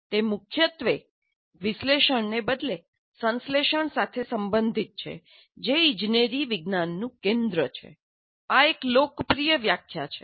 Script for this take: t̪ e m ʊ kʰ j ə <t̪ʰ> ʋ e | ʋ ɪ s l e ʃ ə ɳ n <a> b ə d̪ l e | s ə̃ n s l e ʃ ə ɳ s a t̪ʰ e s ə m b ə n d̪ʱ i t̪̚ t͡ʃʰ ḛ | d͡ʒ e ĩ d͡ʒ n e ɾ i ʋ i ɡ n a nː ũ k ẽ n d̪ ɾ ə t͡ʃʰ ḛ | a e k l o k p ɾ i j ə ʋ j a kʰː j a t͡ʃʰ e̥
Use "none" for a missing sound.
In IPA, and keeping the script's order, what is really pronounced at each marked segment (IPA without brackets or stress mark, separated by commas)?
t̪, e